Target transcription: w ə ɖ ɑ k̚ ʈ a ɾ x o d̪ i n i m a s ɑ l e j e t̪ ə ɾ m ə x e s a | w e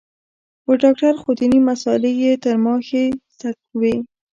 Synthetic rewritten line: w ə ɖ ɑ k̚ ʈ a ɾ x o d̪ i n i m a s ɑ l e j e t̪ ə ɾ m ɑ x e s a | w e

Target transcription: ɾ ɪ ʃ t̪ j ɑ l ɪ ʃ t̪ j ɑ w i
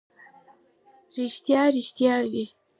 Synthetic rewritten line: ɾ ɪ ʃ t̪ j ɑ ɾ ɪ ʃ t̪ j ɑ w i

